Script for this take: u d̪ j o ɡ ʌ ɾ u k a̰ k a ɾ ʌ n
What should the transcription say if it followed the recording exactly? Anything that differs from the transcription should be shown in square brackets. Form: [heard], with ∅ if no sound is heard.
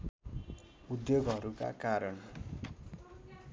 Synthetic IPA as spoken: u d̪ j o ɡ ʌ ɾ u k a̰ k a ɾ ʌ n